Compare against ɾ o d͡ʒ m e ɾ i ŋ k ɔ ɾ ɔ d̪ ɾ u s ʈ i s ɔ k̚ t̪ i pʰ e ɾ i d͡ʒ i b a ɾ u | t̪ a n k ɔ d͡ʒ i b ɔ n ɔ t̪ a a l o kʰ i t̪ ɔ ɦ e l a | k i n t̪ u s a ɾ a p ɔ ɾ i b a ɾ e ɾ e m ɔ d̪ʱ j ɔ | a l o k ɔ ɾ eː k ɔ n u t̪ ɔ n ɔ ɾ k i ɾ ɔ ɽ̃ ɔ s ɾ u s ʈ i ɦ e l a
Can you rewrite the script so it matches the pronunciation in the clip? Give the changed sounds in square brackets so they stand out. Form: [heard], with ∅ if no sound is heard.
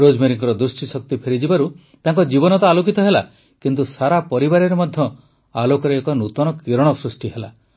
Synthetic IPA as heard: ɾ o d͡ʒ m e ɾ i ŋ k ɔ ɾ ɔ d̪ ɾ u s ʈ i s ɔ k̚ t̪ i pʰ e ɾ i d͡ʒ i b a ɾ u | t̪ a [ŋ] k ɔ d͡ʒ i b ɔ n ɔ t̪ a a l o [k] i t̪ ɔ ɦ e l a | k i n t̪ u s a ɾ a p ɔ ɾ i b a ɾ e ɾ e m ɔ d̪ʱ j ɔ | a l o k ɔ ɾ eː k ɔ n u t̪ ɔ n ɔ [∅] k i ɾ ɔ ɽ̃ ɔ s ɾ u s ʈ i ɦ e l a